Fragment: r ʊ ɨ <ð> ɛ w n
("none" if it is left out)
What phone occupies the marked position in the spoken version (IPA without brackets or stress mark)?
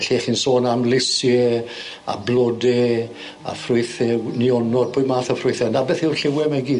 θ